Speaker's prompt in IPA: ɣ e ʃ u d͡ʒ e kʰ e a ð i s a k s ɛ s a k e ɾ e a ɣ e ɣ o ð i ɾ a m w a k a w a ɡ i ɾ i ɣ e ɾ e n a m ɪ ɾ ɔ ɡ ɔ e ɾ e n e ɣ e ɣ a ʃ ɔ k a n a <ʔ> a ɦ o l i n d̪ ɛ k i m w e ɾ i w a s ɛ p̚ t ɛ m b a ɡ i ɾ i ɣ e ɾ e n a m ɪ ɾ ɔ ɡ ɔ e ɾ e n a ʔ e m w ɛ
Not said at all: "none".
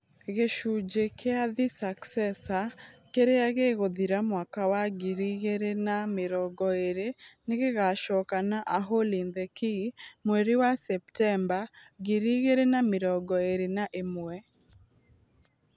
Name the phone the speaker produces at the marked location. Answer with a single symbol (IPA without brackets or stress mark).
ʔ